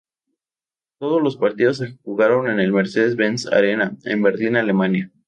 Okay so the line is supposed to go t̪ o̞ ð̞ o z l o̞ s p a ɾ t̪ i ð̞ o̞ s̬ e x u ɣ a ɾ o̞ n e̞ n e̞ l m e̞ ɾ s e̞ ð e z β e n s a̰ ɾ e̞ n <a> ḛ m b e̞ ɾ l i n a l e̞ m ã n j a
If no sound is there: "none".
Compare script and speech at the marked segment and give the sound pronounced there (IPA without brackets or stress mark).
a